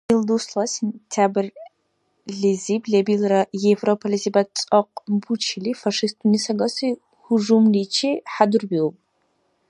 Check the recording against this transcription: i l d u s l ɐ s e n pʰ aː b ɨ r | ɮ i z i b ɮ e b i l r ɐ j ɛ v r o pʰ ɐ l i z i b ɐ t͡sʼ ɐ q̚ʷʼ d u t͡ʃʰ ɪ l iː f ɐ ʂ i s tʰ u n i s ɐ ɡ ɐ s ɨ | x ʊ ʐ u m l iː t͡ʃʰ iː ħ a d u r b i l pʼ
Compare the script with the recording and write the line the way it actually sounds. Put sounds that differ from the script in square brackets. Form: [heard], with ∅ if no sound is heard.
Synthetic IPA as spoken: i l d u s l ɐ s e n [tʰ] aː b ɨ r | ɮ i z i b ɮ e b i l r ɐ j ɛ v r o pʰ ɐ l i z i b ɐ t͡sʼ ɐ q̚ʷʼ [b] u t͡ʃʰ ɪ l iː f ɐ ʂ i s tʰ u n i s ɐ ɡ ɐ s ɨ | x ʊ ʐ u m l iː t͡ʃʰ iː ħ a d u r b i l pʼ